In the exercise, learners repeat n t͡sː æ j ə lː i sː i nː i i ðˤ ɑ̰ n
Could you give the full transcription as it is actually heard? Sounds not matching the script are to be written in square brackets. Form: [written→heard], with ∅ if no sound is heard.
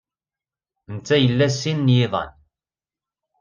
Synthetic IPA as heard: n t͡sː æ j ə lː [i→æ] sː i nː [i→j] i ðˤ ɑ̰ n

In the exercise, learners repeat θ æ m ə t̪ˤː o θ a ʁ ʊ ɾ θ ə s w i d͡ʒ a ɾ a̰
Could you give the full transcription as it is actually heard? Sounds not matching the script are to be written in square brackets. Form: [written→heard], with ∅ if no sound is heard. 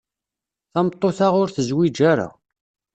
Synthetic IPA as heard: θ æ m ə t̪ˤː o θ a ʁ ʊ ɾ θ ə [s→z] w i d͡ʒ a ɾ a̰

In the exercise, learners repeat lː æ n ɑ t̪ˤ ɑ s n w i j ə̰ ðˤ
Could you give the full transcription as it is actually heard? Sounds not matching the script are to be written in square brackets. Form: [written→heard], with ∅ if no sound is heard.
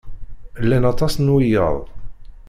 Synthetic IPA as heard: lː æ n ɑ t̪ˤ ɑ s n w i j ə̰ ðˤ

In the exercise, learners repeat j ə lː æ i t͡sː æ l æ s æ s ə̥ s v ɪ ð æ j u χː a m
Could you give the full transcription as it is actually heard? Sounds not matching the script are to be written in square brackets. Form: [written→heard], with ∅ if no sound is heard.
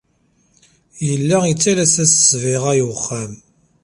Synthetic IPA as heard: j ə lː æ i t͡sː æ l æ s æ s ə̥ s v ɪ [ð→ʁ] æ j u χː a m

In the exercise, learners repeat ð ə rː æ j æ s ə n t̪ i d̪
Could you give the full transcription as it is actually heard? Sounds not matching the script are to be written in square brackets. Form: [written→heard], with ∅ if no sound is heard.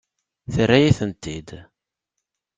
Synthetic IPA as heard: [ð→θ] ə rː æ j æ [s→θ] ə n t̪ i d̪

